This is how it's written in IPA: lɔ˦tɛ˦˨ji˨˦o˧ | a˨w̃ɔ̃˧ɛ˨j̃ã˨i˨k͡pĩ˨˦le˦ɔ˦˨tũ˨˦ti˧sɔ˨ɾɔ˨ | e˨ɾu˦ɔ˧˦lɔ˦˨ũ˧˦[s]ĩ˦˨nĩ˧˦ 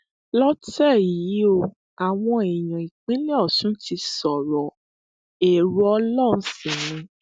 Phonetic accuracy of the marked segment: correct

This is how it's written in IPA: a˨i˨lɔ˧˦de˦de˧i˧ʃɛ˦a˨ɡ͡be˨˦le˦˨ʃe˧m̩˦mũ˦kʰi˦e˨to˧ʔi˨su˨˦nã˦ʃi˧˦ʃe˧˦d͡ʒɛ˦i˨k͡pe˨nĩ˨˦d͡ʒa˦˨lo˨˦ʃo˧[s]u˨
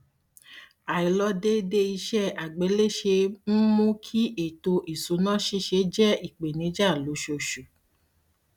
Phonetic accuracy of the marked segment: incorrect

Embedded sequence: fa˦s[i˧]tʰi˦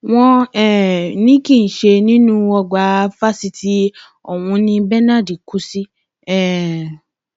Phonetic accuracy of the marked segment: correct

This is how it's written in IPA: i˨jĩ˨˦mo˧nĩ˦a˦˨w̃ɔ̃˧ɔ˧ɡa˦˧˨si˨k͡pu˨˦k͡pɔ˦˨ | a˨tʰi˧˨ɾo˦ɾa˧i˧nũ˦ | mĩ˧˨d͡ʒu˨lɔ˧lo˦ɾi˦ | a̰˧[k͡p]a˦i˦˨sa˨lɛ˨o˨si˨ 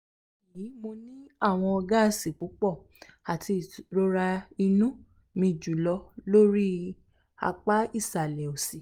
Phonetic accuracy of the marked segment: correct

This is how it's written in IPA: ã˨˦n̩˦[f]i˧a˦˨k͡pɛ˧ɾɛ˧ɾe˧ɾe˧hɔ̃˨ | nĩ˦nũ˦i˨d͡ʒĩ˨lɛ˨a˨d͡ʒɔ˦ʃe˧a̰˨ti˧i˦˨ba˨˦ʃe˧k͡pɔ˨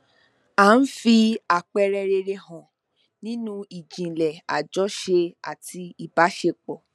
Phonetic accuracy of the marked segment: correct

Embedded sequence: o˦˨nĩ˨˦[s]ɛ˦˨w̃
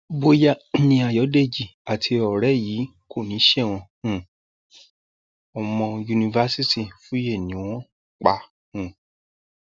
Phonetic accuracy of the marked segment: incorrect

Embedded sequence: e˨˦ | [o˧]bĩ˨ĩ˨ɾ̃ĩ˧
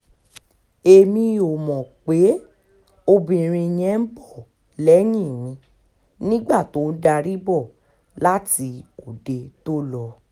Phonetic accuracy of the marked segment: correct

